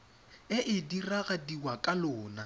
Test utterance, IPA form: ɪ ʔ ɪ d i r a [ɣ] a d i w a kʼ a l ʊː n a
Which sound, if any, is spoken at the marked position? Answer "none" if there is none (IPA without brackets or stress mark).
ɣ